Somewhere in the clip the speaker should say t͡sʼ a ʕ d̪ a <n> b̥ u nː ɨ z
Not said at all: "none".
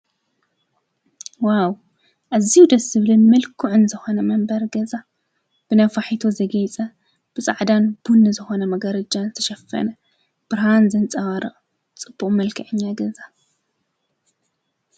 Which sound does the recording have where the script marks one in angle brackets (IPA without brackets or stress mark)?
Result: n